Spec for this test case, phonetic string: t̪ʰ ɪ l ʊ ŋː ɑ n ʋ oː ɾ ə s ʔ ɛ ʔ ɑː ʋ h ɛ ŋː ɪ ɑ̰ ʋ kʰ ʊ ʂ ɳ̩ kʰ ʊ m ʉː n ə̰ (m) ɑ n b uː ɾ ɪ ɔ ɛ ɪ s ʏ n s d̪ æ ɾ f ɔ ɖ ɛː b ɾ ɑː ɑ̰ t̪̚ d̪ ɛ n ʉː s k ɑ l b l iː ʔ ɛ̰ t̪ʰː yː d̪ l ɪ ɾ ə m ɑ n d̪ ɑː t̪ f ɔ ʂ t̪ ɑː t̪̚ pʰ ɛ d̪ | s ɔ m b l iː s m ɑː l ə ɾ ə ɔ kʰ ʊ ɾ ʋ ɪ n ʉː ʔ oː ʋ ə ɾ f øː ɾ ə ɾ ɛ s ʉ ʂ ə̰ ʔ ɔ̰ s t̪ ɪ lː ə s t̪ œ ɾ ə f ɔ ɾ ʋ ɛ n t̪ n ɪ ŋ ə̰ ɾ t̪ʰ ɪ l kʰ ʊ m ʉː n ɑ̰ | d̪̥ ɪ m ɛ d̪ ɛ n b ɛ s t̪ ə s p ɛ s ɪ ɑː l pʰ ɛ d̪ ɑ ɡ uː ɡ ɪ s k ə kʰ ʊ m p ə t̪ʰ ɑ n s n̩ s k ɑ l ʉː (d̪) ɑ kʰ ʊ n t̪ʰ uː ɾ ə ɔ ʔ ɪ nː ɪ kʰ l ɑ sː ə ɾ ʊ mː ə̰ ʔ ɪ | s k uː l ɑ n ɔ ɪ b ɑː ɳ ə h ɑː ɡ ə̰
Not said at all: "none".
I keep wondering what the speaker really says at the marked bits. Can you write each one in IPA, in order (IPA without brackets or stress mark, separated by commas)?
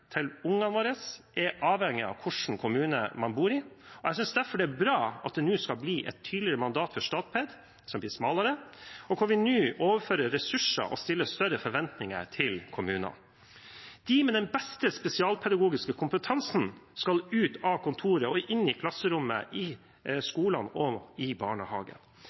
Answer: m, t̪